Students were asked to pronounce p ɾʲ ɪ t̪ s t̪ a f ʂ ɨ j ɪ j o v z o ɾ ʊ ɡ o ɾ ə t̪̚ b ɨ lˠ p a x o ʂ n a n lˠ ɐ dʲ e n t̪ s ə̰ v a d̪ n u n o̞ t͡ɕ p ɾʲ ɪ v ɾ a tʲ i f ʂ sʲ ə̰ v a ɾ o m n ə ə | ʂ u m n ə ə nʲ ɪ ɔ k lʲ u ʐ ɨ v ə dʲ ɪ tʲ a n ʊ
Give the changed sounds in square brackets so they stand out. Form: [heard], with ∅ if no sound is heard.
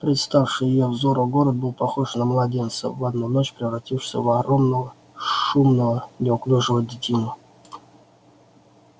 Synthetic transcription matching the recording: p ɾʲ ɪ t̪ s t̪ a f ʂ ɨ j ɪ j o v z o ɾ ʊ ɡ o ɾ ə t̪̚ b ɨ lˠ p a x o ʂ n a [m] lˠ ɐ dʲ e n t̪ s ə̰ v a d̪ n u n o̞ t͡ɕ p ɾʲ ɪ v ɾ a tʲ i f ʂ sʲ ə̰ v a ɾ o m n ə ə | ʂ u m n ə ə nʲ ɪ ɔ k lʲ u ʐ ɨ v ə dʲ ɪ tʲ [i] n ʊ